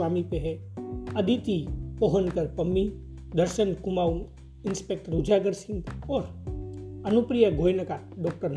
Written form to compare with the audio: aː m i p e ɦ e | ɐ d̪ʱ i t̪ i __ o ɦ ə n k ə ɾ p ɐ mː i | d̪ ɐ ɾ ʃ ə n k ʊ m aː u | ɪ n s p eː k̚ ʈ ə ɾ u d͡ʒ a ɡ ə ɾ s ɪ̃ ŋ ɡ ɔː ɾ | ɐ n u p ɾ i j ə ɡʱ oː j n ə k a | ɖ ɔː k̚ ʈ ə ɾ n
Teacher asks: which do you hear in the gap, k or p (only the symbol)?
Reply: p